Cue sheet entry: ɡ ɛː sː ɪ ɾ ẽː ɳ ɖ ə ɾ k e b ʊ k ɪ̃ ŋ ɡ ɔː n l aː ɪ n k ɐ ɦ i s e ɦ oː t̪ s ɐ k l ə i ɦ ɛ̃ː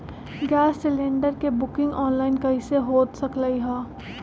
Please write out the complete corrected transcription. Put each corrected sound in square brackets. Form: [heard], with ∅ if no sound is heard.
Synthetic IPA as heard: ɡ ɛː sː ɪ [l] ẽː ɳ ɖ ə ɾ k e b ʊ k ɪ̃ ŋ ɡ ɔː n l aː ɪ n k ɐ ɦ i s e ɦ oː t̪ s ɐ k l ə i ɦ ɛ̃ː